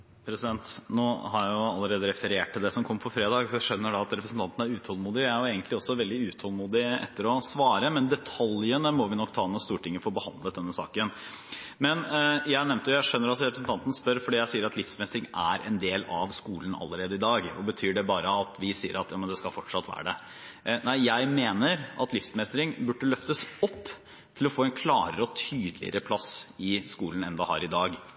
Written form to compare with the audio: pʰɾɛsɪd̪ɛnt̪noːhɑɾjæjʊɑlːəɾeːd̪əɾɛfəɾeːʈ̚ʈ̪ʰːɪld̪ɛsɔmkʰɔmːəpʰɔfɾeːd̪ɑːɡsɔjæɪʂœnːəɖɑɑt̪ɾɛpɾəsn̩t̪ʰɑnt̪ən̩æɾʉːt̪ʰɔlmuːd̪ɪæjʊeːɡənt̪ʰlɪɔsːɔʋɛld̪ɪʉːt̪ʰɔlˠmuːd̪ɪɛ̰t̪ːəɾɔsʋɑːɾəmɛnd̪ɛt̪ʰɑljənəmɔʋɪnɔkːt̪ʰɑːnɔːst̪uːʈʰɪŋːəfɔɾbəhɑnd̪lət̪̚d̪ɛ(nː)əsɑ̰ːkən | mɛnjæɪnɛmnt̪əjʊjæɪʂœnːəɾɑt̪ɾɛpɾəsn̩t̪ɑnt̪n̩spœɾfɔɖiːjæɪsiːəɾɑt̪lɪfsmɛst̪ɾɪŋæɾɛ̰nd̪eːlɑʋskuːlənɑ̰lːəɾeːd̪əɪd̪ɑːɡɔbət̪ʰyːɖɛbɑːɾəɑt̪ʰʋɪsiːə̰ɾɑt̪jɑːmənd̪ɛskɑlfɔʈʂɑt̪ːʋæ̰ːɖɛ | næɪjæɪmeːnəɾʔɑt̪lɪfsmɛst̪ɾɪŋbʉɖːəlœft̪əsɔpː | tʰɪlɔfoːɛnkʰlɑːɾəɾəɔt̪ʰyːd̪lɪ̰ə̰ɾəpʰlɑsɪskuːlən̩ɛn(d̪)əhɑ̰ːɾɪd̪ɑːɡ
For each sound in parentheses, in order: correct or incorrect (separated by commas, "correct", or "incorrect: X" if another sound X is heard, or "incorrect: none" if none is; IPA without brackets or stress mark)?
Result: correct, correct